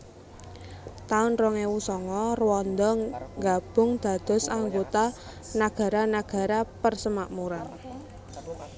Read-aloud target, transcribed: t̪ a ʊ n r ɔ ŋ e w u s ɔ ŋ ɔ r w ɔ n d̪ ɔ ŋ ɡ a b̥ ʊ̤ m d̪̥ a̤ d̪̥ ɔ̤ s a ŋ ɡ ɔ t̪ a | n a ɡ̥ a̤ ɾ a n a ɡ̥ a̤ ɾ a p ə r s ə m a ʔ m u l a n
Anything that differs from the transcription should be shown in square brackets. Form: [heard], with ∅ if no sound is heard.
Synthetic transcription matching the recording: t̪ a ʊ n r ɔ ŋ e w u s ɔ ŋ ɔ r w ɔ n d̪ ɔ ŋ ɡ a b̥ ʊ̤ [ŋ] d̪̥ a̤ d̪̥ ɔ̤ s a ŋ ɡ [o] t̪ a | n a ɡ̥ a̤ ɾ a n a ɡ̥ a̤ ɾ a p ə r s ə m a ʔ m u [ɾ] a n